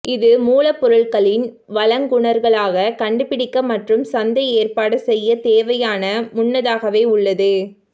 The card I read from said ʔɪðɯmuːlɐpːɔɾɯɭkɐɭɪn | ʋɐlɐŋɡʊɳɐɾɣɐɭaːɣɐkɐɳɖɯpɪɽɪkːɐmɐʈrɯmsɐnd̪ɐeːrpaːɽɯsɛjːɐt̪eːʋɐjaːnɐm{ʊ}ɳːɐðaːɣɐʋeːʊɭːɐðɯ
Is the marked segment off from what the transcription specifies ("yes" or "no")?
no